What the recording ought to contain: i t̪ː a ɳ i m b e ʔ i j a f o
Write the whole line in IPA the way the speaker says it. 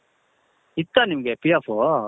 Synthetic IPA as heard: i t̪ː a n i m ɡ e p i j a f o